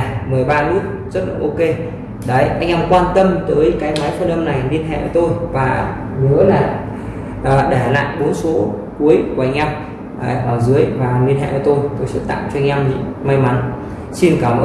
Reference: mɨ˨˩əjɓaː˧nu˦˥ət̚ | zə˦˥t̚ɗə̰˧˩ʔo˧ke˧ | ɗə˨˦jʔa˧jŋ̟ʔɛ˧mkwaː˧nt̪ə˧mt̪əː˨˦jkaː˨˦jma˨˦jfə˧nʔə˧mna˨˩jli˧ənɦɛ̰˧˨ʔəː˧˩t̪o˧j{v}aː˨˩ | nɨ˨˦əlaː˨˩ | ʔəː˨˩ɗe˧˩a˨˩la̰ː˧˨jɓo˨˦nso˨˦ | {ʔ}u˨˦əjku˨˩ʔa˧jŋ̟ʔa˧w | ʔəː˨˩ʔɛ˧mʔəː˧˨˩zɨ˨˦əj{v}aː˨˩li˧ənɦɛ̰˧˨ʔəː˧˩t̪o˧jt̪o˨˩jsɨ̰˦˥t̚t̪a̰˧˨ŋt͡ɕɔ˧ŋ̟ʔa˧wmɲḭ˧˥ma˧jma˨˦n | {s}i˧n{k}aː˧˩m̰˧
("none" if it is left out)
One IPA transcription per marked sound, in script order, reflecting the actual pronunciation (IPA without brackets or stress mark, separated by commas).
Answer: v, k, v, s, k